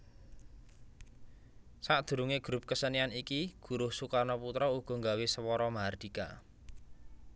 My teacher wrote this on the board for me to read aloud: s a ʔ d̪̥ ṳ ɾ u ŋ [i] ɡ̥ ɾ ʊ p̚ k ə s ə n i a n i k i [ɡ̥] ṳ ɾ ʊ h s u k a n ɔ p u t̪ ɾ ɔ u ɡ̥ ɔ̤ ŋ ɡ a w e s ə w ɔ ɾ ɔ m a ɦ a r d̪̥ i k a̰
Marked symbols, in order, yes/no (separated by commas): no, yes